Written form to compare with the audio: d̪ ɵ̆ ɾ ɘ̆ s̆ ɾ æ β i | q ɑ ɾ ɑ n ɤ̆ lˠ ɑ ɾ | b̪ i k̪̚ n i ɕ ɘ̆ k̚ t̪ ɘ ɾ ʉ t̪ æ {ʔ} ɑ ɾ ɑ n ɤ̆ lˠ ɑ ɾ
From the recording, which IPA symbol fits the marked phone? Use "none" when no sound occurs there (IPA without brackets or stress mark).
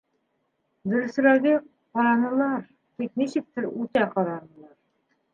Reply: q